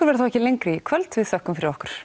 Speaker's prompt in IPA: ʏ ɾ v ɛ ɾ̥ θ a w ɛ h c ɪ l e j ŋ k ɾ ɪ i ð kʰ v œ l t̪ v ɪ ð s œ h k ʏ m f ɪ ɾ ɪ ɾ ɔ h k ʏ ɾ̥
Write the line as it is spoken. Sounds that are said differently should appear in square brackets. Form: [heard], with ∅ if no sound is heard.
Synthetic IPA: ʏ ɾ v ɛ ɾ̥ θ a w ɛ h c ɪ l e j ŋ k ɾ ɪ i [∅] kʰ v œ l t̪ v ɪ ð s œ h k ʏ m f ɪ ɾ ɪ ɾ ɔ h k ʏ ɾ̥